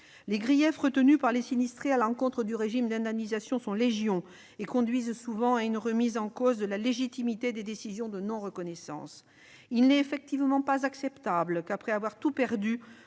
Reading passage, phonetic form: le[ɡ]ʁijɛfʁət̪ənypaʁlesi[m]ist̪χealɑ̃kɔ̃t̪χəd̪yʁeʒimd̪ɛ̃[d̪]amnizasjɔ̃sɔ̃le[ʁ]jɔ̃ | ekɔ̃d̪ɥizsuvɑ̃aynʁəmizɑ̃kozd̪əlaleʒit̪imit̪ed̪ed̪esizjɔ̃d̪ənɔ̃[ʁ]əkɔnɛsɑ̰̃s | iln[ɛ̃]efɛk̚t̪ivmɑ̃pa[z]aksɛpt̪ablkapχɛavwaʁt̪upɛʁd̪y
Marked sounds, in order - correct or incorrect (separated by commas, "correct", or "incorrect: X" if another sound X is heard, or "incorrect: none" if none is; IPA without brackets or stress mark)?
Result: correct, incorrect: n, correct, incorrect: ʒ, correct, incorrect: ɛ, correct